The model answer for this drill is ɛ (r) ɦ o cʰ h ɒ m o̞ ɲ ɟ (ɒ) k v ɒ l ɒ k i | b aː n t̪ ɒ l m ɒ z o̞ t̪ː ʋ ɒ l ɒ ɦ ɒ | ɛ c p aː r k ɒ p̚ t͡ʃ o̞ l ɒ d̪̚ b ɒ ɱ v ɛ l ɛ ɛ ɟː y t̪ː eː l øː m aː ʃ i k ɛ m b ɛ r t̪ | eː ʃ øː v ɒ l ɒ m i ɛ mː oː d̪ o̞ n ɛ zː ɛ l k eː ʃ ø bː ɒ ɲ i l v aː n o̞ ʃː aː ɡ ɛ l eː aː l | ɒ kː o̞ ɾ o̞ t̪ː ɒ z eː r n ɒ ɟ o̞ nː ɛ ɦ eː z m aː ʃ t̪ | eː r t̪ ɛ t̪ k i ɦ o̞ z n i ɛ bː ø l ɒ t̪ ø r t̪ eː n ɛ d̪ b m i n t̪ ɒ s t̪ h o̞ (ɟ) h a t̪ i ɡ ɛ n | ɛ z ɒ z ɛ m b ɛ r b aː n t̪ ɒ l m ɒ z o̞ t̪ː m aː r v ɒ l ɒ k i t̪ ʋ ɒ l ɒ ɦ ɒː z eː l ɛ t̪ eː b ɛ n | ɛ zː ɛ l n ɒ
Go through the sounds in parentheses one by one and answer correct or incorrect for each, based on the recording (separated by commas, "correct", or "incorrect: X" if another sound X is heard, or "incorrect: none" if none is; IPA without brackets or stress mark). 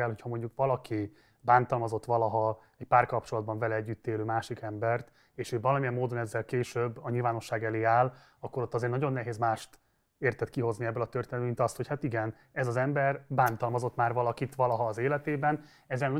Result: incorrect: l, incorrect: u, incorrect: c